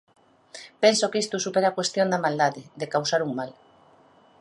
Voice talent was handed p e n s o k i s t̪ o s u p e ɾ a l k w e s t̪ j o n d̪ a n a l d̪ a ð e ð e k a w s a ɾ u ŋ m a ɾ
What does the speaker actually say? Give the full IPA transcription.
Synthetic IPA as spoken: p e n s o k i s t̪ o s u p e ɾ a k w e s t̪ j o n d̪ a m a l d̪ a ð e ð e k a w s a ɾ u ŋ m a l